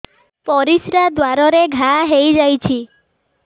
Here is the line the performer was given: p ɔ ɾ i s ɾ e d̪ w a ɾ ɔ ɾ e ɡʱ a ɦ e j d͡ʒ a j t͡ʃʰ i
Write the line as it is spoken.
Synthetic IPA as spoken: p ɔ ɾ i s ɾ a d̪ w a ɾ ɔ ɾ e ɡʱ a ɦ e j d͡ʒ a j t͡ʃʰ i